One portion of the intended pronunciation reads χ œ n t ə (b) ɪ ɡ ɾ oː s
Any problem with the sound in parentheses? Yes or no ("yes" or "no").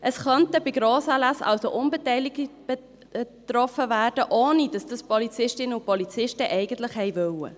no